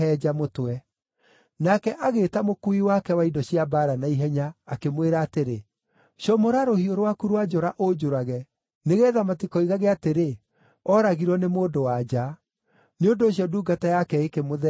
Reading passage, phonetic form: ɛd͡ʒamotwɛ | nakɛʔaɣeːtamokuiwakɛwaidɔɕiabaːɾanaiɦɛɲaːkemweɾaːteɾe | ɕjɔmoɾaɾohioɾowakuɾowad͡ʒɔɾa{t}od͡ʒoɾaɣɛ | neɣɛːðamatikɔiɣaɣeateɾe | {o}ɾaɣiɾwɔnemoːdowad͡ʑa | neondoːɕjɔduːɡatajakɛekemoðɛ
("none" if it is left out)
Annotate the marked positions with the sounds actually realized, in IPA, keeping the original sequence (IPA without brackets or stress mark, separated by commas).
ʔ, ɔ